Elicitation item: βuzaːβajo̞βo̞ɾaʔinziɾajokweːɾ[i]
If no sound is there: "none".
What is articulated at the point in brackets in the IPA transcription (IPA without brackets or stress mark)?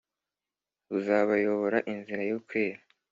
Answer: a